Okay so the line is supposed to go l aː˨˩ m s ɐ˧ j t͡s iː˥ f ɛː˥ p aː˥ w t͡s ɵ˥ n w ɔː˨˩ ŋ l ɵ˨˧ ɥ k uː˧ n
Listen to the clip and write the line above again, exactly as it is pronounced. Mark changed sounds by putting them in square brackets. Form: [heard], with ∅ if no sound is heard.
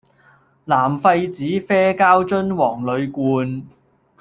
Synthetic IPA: l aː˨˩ m [f] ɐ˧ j t͡s [iː˨˥] f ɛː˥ [k] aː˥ w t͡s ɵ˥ n w ɔː˨˩ ŋ l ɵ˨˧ ɥ k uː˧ n